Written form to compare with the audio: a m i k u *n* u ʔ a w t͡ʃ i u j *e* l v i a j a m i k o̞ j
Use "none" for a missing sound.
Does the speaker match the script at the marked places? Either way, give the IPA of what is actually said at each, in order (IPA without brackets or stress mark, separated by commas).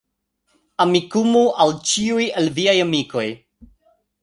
m, e